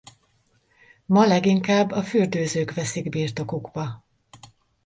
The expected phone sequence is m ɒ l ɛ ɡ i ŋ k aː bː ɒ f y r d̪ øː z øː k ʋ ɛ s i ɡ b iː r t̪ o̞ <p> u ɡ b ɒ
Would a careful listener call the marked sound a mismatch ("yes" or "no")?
yes